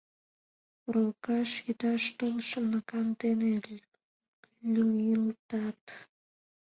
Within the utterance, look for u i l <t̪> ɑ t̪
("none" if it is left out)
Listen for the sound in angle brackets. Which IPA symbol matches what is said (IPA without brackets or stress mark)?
t̪